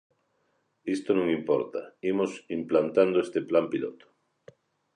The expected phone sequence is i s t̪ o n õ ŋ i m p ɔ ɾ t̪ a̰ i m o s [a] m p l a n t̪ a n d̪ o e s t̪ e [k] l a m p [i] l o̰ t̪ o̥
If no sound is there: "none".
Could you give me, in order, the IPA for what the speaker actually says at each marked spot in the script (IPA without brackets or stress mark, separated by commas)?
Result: i, p, i